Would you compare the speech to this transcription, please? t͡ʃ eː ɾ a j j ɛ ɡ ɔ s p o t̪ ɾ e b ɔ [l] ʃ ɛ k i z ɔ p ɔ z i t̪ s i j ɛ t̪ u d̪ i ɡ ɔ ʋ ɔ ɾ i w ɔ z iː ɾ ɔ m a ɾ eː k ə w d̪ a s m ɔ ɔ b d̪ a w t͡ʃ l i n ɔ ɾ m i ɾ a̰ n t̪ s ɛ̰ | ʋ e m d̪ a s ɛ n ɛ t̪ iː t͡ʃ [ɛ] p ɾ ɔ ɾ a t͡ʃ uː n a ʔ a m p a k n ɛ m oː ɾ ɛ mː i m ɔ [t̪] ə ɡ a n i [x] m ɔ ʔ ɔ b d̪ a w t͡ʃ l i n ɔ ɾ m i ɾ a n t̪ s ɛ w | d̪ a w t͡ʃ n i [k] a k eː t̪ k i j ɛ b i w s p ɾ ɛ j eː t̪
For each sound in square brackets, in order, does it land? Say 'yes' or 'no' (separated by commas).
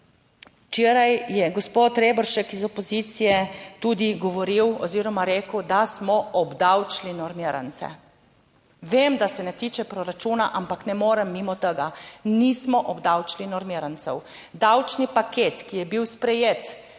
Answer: no, yes, yes, no, no